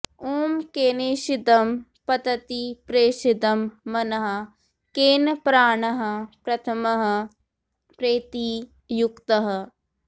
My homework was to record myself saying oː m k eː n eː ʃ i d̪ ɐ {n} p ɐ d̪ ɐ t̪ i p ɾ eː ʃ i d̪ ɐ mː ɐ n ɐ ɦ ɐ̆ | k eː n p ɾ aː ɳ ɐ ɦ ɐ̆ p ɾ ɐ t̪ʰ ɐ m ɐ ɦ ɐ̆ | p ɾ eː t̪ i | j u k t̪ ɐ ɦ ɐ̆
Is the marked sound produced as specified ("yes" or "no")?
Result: no